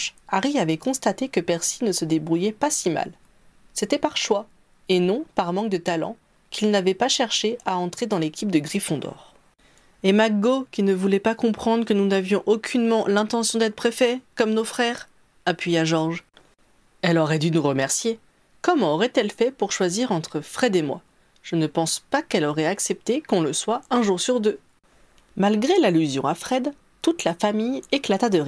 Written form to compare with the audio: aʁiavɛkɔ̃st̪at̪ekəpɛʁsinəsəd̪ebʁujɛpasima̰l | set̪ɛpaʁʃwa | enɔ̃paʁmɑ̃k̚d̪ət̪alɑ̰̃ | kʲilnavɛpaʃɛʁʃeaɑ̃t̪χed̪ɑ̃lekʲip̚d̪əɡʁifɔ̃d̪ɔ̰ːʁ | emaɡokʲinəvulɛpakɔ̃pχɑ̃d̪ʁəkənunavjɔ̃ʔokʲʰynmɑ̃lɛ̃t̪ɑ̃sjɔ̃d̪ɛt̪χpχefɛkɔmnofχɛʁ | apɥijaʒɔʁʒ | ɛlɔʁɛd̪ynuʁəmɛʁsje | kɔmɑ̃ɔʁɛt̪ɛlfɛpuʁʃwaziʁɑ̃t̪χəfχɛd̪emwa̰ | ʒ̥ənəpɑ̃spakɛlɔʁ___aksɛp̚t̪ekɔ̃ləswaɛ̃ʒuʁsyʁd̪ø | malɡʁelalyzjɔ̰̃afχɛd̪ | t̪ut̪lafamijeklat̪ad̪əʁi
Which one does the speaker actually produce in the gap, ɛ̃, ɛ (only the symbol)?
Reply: ɛ